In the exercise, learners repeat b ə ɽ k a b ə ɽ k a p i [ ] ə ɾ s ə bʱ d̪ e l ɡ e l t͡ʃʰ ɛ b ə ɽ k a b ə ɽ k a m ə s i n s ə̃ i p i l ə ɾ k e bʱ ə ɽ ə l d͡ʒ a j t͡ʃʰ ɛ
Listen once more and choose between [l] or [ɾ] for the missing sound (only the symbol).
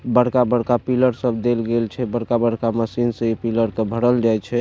l